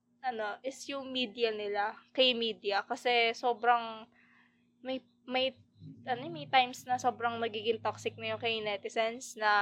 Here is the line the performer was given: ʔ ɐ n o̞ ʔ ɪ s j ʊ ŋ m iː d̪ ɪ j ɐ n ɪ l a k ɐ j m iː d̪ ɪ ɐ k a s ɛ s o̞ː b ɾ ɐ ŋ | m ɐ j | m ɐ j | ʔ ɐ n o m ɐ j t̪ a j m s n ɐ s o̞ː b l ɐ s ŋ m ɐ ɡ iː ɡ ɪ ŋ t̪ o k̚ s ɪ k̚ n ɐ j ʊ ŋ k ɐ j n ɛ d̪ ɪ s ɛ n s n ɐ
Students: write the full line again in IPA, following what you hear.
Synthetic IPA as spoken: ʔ ɐ n o̞ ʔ ɪ s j ʊ ŋ m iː d̪ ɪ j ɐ n ɪ l a k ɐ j m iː d̪ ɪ ɐ k ɐ s ɛ s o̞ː b ɾ ɐ ŋ | m ɐ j | m ɐ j | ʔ ɐ n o m ɐ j t̪ a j m s n ɐ s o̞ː b ɾ ɐ ŋ m ɐ ɡ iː ɡ ɪ ŋ t̪ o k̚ s ɪ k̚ n ɐ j ʊ ŋ k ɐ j n ɛ t̪ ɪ s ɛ n s n ɐ